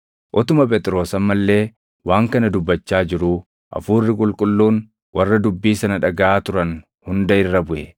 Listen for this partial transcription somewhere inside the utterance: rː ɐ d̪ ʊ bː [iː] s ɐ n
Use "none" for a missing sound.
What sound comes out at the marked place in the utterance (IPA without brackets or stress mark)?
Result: iː